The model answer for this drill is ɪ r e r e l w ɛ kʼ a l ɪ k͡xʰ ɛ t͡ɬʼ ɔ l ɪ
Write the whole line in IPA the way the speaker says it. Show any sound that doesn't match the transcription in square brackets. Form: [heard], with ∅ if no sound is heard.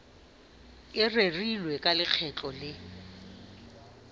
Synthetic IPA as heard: ɪ r e r [i] l w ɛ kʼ a l ɪ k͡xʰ ɛ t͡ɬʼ ɔ l ɪ

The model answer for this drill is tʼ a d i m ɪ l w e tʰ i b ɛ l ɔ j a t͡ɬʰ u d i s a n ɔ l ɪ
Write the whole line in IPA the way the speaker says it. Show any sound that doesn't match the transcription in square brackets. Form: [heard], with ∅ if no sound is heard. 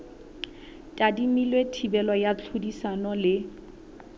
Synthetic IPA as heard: tʼ a d i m [i] l w e tʰ i b ɛ l ɔ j a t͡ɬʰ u d i s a n ɔ l ɪ

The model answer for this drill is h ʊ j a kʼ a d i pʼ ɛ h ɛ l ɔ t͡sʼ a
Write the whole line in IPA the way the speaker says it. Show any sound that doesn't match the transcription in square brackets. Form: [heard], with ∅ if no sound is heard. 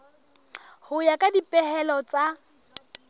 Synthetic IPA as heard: h ʊ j a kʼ a d i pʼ ɛ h ɛ l ɔ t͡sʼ a

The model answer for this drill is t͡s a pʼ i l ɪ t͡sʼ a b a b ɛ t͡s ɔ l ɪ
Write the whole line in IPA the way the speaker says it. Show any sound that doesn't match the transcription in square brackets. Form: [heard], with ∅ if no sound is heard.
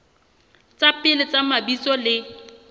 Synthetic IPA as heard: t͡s a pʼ [ɪ] l ɪ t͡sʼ a [m] a b [i] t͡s ɔ l ɪ

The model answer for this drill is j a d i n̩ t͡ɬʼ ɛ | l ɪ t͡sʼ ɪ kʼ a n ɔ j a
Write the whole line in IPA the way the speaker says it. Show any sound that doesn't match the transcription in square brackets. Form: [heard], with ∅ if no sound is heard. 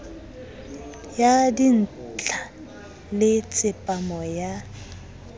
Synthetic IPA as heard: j a d i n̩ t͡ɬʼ [a] | l ɪ t͡sʼ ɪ [pʼ] a [m] ɔ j a

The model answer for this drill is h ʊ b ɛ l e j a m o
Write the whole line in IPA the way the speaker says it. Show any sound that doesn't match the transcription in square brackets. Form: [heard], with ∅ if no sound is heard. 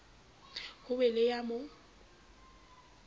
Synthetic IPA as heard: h ʊ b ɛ l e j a m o

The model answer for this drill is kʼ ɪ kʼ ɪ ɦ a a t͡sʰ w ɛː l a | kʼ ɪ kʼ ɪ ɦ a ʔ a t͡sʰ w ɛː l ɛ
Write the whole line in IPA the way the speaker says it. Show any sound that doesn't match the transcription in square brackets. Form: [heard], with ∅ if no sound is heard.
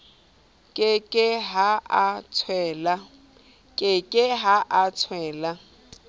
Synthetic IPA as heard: kʼ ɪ kʼ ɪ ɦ a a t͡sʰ w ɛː l a | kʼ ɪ kʼ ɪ ɦ a ʔ a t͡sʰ w ɛː l [a]

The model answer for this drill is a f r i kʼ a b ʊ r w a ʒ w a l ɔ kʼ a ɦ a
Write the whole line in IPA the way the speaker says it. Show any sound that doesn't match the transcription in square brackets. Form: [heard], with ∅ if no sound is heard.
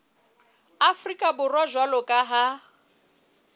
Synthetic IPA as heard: a f r i kʼ a b ʊ r w a ʒ w a l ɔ kʼ a ɦ a

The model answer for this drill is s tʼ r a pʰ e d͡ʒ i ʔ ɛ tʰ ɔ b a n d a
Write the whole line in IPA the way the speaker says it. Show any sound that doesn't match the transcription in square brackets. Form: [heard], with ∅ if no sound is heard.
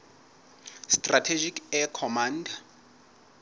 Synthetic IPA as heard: s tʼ r a [tʰ] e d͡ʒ i [k] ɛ [kʰ] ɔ [m] a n d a

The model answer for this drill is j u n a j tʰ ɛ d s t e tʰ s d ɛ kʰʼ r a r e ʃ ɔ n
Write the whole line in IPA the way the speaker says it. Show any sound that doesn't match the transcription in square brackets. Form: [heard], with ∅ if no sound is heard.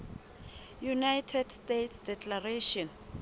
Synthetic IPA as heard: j u n a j tʰ ɛ d s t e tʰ s d ɛ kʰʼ [l] a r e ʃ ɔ n

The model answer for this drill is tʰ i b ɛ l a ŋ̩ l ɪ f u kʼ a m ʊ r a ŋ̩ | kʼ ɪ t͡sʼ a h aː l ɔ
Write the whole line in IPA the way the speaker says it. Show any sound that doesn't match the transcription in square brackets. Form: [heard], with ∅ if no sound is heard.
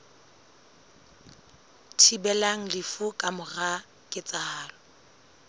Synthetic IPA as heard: tʰ i b ɛ l a ŋ̩ l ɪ f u kʼ a m ʊ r a [∅] | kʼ ɪ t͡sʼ a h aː l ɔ

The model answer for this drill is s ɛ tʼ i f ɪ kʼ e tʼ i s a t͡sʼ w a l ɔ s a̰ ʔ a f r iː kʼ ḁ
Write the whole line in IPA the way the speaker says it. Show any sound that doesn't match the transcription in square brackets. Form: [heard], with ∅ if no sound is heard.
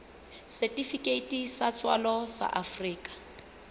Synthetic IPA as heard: s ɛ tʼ i f [i] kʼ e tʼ i s a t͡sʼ w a l ɔ s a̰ ʔ a f r iː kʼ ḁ

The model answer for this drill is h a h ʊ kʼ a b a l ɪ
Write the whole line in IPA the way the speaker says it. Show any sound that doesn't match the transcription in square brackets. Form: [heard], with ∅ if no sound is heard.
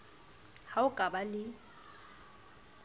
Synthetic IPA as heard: h a [∅] ʊ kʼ a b a l ɪ

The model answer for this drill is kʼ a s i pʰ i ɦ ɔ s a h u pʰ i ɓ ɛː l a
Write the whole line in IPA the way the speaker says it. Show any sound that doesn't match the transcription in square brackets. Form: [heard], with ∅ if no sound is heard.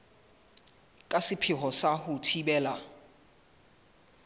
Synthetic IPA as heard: kʼ a s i pʰ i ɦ ɔ s a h u [tʰ] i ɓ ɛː l a

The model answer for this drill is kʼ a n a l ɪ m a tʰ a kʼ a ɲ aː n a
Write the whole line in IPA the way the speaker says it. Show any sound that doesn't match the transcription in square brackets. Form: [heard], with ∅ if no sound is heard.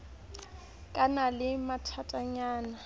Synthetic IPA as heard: kʼ a n a l ɪ m a tʰ a [tʼ] a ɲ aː n a

